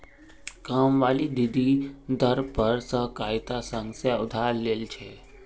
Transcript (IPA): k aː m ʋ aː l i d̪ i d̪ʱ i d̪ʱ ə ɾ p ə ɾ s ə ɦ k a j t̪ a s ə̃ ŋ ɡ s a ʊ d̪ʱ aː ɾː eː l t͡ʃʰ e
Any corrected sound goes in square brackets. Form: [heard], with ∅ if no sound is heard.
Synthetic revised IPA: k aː m ʋ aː l i d̪ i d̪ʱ i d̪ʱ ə ɾ p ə ɾ s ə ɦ k a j t̪ a s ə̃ ŋ ɡ s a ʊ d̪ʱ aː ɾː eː l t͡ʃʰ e